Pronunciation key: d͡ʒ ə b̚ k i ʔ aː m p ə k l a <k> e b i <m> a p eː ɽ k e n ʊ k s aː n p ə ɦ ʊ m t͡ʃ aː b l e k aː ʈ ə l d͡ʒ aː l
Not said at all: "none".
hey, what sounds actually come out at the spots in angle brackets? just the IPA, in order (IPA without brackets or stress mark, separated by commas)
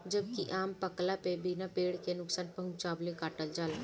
p, n